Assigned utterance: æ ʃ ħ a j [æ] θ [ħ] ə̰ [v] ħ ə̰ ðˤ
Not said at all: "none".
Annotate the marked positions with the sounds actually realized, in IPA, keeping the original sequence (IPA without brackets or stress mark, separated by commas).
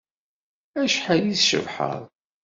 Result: i, ʃ, v